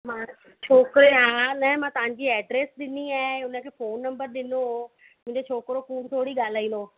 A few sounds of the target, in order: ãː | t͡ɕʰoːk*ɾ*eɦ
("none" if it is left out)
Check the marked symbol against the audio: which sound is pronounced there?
ɾ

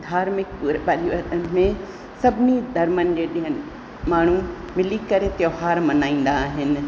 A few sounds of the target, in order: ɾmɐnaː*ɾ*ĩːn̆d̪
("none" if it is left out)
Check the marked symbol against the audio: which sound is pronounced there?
none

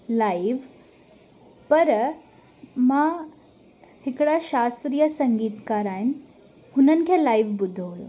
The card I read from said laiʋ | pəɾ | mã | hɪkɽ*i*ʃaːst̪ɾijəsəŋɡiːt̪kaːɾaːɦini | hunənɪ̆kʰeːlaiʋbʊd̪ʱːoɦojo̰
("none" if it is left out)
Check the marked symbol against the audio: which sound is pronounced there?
a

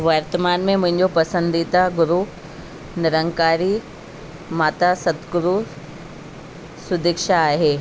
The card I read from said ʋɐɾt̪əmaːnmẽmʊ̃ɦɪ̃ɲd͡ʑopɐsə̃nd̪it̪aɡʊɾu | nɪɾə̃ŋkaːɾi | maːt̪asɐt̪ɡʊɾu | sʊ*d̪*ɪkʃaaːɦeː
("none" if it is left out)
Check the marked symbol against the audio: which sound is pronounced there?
d̪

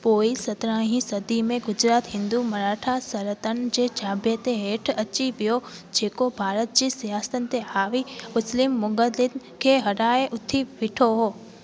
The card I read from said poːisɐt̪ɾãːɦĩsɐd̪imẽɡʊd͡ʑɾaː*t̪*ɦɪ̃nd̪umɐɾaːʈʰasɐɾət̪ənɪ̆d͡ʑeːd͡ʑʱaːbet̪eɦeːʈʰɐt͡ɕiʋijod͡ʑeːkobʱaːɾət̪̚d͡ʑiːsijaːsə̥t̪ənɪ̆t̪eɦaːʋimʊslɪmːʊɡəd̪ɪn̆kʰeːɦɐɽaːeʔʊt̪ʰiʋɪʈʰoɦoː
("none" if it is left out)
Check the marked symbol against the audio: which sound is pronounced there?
t̪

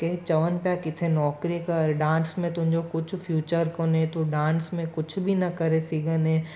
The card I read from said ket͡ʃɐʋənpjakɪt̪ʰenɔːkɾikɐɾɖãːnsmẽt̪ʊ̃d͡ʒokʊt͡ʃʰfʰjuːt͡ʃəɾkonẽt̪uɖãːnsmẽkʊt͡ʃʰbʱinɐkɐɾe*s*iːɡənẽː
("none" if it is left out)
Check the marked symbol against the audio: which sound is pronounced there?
s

